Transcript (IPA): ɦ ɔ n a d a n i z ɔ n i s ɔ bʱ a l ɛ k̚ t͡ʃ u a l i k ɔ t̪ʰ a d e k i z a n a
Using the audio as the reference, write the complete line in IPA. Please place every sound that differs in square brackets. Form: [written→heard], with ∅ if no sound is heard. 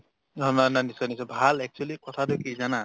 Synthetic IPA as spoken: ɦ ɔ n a [d→n] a n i [z→s] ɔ n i s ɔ bʱ a l ɛ k̚ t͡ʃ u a l i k ɔ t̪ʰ a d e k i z a n a